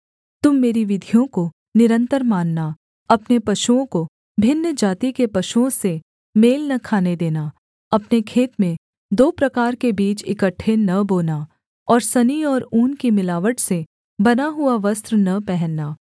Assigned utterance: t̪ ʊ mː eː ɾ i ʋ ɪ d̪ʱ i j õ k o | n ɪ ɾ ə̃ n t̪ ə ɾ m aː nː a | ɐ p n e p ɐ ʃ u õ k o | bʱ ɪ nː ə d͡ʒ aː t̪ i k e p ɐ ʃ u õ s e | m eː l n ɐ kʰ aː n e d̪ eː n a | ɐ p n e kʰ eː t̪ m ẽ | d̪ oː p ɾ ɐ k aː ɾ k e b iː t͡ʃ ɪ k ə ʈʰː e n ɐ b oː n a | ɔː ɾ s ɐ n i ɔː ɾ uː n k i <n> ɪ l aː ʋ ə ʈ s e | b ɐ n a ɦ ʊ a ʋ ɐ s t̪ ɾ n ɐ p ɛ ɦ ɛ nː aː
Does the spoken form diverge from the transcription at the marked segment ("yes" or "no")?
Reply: yes